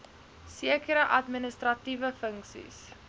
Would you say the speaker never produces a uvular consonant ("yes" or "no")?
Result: yes